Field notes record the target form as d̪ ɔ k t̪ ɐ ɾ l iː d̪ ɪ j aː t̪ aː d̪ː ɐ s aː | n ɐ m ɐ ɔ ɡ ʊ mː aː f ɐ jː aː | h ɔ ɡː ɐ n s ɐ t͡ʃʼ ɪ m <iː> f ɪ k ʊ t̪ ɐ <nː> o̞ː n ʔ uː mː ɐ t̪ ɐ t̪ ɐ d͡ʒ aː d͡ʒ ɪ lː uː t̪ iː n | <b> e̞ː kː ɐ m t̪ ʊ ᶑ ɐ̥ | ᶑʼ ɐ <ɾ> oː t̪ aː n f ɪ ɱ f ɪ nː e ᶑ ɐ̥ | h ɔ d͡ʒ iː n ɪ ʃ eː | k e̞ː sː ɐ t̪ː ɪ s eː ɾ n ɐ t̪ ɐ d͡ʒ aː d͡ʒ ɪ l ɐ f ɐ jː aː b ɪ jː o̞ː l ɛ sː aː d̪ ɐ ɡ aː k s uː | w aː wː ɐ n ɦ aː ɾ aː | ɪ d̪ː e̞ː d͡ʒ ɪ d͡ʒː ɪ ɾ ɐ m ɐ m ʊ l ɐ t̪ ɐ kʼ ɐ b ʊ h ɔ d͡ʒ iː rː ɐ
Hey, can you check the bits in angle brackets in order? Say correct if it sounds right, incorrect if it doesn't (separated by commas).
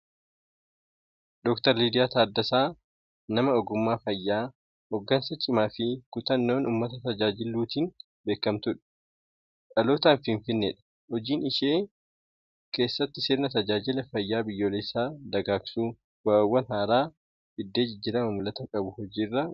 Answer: incorrect, correct, correct, incorrect